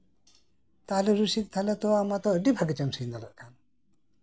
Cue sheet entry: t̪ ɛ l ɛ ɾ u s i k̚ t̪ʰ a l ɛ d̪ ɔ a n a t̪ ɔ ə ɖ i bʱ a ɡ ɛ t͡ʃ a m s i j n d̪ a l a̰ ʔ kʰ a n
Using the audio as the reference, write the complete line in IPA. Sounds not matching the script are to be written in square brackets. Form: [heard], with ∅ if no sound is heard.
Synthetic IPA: t̪ [a] l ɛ ɾ u s i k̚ t̪ʰ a l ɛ [t̪] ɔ a [m] a t̪ ɔ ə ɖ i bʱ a ɡ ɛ t͡ʃ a m s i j n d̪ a l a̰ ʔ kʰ a n